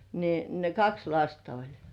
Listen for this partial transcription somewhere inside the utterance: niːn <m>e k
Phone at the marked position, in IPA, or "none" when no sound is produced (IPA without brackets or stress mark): n